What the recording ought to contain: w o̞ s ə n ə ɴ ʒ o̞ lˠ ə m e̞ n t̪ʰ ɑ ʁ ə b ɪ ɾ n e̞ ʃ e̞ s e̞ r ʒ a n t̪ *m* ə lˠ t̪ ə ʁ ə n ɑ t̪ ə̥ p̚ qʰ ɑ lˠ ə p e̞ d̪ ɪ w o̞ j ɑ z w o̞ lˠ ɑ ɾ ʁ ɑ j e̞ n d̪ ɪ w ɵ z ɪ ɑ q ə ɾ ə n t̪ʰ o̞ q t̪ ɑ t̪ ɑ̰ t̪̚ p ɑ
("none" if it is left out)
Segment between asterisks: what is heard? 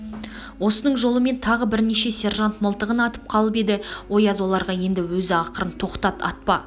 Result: m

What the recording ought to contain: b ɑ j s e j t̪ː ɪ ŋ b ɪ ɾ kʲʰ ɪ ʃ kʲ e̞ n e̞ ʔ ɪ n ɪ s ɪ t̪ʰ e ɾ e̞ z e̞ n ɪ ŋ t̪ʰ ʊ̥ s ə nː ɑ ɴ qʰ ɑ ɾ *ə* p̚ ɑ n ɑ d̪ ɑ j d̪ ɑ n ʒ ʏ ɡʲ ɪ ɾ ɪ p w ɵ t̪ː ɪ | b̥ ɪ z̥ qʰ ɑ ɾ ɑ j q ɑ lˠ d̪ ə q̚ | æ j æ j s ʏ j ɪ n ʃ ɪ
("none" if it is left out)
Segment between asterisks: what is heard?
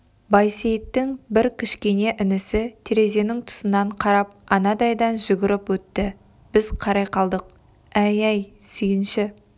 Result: ɑ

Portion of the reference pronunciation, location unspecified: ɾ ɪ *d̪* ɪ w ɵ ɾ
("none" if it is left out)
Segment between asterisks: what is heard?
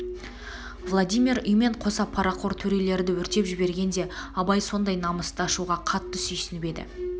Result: d̪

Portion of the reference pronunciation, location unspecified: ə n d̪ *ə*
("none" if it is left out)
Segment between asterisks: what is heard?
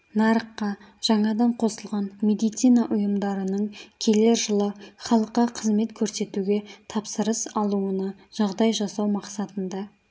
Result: ɑ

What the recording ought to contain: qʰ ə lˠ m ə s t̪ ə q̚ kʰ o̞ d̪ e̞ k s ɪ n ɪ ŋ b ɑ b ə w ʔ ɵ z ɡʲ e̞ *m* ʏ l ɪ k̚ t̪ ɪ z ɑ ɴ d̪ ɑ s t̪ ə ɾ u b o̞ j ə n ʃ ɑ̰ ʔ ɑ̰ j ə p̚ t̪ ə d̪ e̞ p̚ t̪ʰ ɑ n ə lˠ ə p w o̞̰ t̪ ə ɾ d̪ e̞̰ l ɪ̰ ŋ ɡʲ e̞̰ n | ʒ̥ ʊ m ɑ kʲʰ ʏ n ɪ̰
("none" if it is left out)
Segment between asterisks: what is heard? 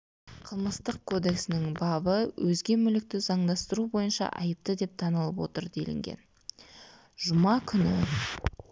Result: m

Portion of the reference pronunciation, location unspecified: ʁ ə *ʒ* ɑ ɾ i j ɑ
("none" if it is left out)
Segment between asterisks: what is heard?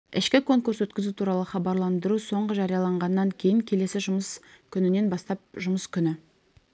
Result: ʒ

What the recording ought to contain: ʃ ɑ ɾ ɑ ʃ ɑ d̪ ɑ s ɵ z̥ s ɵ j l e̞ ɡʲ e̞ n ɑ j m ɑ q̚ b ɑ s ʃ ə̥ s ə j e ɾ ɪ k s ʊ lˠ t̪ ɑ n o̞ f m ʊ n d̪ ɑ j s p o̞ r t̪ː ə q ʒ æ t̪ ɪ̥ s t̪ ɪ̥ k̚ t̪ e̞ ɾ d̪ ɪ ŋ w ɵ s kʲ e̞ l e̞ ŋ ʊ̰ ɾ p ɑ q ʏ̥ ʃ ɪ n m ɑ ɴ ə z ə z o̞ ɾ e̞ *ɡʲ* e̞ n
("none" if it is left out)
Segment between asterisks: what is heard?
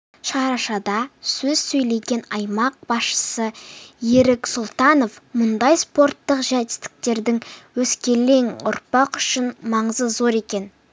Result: kʲ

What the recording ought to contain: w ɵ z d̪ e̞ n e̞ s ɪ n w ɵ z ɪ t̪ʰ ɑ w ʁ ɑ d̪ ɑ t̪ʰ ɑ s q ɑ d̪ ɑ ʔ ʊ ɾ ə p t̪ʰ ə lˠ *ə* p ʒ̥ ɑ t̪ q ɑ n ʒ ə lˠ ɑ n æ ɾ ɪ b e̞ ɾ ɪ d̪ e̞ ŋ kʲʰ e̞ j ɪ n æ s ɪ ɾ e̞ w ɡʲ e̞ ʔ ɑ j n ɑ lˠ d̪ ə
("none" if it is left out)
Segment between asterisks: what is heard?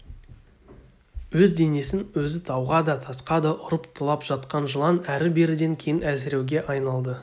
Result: ɑ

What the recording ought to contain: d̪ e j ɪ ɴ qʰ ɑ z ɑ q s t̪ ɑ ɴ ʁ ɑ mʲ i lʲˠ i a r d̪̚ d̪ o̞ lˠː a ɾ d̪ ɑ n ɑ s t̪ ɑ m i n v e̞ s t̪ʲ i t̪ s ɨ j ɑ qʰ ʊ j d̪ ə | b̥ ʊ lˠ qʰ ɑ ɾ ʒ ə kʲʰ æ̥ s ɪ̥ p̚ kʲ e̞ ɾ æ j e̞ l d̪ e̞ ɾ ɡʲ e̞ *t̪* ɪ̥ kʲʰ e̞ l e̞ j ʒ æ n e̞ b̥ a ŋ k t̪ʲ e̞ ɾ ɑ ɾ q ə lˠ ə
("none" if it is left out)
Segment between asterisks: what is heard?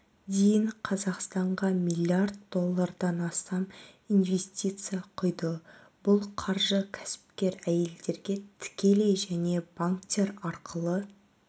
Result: t̪ʰ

